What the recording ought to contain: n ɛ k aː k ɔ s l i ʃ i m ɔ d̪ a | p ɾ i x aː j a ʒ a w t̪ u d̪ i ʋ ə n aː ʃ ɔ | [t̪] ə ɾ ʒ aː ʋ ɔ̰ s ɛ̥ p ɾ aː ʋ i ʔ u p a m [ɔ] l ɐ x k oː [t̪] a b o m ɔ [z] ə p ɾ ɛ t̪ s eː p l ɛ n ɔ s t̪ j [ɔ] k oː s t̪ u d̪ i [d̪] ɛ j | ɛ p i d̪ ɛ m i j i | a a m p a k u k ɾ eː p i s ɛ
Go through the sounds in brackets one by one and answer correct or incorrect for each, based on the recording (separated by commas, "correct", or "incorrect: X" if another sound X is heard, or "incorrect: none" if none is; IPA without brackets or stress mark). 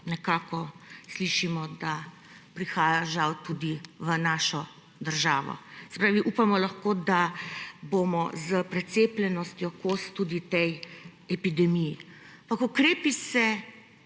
incorrect: d̪, correct, incorrect: d̪, correct, correct, incorrect: t̪